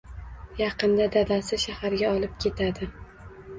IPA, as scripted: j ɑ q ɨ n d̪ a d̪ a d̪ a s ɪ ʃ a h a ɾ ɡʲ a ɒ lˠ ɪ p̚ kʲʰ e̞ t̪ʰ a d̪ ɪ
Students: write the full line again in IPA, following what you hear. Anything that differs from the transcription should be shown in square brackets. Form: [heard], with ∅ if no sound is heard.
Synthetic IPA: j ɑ q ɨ n d̪ a d̪ a d̪ a s ɪ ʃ a h a ɾ ɡʲ a ɒ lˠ ɪ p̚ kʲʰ e̞ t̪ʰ a d̪ ɪ